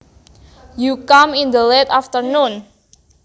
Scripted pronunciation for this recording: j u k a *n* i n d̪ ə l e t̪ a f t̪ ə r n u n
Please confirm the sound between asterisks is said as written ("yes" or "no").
no